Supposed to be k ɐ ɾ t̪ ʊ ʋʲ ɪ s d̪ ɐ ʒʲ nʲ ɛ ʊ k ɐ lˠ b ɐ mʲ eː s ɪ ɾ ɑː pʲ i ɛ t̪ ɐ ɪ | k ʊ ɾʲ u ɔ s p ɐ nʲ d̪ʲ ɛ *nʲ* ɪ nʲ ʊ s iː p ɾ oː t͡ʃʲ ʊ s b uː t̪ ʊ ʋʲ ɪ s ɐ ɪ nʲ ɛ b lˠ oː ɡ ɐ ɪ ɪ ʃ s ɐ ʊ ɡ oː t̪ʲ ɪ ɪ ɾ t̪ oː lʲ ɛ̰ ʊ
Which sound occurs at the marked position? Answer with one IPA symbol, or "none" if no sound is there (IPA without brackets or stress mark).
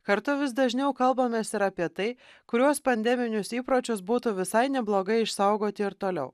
mʲ